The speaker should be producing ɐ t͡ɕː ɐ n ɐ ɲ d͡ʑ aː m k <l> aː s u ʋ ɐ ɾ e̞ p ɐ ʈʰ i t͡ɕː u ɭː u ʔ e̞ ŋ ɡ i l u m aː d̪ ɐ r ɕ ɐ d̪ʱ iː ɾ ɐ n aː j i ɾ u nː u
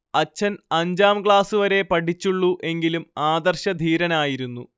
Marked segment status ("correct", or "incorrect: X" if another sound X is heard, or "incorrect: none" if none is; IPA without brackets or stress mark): incorrect: ɭ